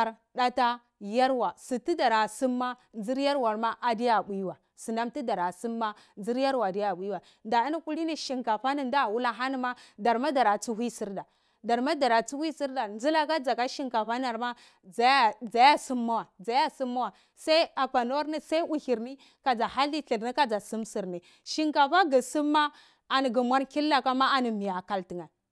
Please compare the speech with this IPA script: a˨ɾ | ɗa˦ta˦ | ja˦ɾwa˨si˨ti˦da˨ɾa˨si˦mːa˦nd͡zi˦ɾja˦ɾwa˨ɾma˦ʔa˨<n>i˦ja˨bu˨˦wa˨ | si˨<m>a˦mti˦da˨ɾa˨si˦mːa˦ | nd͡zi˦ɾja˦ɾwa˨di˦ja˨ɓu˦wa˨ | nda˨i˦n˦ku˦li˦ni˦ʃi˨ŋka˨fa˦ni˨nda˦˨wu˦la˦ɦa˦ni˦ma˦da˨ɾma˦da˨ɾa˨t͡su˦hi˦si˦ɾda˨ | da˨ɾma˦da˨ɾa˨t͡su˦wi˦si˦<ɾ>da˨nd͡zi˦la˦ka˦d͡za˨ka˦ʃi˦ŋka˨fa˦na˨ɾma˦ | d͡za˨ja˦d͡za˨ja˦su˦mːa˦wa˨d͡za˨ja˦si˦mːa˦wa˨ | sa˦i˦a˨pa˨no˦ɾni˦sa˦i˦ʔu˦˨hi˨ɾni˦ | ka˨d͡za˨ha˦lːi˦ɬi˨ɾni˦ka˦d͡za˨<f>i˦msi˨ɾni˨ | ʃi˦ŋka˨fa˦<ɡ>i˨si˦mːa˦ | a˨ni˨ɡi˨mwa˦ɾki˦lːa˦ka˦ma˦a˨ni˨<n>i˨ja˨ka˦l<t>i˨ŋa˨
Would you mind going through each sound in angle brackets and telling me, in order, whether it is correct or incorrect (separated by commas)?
incorrect, incorrect, correct, incorrect, correct, incorrect, correct